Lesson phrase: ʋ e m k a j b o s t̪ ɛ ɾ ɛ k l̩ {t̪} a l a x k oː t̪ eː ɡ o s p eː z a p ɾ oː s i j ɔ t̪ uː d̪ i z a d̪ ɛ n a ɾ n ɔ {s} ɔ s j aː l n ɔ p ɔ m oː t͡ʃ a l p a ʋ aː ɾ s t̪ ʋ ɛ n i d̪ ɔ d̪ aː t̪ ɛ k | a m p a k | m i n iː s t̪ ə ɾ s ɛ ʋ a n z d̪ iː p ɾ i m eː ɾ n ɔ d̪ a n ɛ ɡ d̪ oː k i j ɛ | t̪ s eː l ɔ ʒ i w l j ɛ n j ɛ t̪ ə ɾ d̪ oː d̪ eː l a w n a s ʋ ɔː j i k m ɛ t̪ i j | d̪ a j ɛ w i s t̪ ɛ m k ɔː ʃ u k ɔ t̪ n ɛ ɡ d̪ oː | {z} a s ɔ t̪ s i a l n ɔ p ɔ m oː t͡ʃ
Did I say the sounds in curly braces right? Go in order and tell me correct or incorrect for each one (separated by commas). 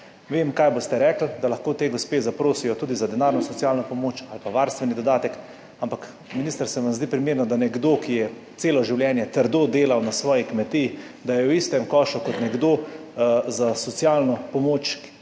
incorrect, correct, correct